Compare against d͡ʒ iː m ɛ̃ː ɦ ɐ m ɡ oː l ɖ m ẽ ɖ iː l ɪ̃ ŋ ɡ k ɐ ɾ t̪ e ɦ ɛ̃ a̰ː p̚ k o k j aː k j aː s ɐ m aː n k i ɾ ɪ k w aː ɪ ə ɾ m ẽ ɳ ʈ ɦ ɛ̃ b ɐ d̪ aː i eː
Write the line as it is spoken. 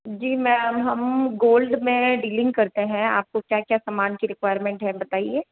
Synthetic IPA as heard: d͡ʒ iː m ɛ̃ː ɦ ɐ m ɡ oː l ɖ m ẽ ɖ iː l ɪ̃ ŋ ɡ k ɐ ɾ t̪ e ɦ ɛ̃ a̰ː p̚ k o k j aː k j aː s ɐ m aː n k i ɾ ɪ k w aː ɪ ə ɾ m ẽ ɳ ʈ ɦ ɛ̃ b ɐ t̪ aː i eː